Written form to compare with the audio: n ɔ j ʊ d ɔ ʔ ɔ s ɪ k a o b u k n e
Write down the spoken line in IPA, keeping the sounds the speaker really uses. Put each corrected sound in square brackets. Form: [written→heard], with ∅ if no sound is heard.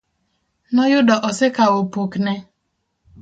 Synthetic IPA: n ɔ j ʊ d ɔ ʔ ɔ s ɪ k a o [b→p] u k n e